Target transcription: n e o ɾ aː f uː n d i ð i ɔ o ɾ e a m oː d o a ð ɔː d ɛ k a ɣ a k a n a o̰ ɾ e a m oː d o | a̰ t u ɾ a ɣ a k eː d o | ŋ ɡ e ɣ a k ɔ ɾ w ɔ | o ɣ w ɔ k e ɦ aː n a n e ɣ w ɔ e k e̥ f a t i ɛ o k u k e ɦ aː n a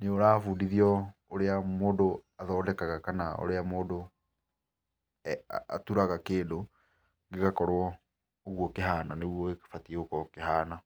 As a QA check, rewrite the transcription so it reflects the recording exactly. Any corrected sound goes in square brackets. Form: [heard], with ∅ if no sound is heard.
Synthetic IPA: n e o ɾ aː f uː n d i ð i ɔ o ɾ e a m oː d o a ð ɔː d ɛ k a ɣ a k a n a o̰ ɾ e a m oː d o | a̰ t u ɾ a ɣ a k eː d o | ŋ ɡ e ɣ a k ɔ ɾ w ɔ | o ɣ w ɔ k e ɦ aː n a n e ɣ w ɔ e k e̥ f a t i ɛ o k [ɔ] k e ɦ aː n a